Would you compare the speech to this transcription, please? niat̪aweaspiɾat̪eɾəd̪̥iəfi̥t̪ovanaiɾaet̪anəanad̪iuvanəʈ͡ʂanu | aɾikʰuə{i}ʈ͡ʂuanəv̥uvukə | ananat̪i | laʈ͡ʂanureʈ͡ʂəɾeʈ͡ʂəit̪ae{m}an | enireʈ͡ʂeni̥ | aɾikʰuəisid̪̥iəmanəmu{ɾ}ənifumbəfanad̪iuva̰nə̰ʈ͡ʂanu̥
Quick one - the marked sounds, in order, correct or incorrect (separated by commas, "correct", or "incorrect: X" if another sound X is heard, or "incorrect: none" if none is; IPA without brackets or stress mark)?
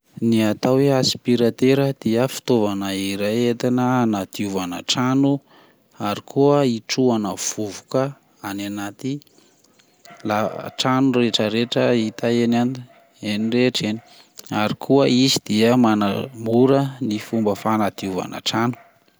correct, incorrect: n, correct